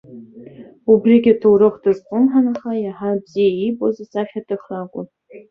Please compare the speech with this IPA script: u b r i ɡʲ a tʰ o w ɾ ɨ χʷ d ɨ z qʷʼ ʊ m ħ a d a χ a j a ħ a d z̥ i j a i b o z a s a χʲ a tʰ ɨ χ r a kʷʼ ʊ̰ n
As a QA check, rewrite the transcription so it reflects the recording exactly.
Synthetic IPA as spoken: u b r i ɡʲ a tʰ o w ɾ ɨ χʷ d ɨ z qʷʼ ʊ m ħ a n a χ a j a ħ a b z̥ i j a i b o z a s a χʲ a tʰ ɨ χ r a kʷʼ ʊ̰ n